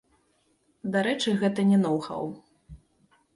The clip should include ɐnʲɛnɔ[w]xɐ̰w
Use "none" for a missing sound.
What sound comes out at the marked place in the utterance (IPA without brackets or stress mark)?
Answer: w